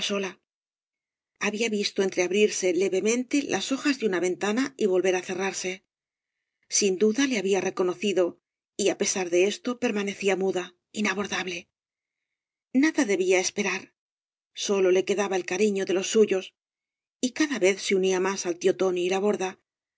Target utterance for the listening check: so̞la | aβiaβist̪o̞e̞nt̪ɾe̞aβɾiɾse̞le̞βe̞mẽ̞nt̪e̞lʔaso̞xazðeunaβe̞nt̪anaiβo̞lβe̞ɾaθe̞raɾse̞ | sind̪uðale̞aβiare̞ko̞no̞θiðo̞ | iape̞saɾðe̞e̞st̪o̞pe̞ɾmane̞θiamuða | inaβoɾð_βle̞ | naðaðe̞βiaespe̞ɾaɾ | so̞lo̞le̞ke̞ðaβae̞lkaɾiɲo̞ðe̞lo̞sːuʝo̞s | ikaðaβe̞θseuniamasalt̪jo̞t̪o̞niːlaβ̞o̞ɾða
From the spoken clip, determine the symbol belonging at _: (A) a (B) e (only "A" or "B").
A